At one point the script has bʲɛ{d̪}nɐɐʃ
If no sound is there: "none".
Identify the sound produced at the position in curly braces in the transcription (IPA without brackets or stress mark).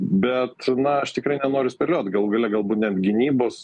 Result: t̪